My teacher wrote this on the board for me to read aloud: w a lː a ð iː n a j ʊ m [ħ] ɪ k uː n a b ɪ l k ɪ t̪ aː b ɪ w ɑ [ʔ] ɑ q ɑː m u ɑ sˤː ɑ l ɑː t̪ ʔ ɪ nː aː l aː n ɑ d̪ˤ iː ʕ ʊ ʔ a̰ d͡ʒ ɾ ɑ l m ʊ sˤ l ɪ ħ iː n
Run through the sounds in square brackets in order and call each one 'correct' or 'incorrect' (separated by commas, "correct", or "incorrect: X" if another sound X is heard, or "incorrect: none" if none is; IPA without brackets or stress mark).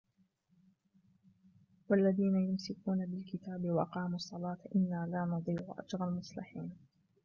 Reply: incorrect: s, correct